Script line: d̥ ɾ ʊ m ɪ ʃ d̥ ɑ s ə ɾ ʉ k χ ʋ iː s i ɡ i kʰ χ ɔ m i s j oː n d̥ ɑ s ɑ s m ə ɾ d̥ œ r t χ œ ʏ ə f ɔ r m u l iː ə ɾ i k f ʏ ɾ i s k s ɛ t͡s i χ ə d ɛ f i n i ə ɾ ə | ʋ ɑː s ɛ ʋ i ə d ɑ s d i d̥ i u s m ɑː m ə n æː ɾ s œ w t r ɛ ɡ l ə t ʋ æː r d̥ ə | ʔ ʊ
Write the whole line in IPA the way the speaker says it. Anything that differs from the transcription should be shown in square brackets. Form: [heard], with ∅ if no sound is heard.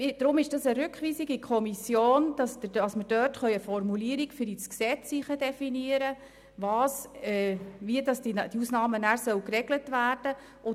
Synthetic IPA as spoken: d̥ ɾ ʊ m ɪ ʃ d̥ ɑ s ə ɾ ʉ k χ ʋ iː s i ɡ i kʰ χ ɔ m i s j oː n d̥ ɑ s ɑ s m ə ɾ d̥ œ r t χ œ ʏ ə f ɔ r m u l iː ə ɾ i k f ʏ ɾ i s k s ɛ t͡s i χ ə d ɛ f i n i ə ɾ ə | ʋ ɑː s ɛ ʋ i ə d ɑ s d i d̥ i u s [n] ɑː m ə n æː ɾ s œ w [k] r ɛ ɡ l ə t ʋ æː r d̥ ə | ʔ ʊ